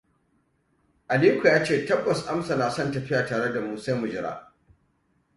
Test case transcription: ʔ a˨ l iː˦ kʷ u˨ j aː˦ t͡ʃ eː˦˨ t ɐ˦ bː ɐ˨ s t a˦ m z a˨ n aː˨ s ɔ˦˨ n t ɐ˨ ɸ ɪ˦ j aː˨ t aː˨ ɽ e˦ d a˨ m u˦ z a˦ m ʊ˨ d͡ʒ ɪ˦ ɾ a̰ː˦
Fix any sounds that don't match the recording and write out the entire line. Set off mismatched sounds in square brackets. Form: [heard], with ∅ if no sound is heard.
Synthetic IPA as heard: ʔ a˨ l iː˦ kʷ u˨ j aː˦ t͡ʃ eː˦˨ t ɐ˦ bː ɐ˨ s [ʔ] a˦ m [s] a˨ n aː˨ s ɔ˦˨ n t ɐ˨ ɸ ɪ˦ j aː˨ t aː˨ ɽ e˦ d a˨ m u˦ [s] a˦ m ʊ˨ d͡ʒ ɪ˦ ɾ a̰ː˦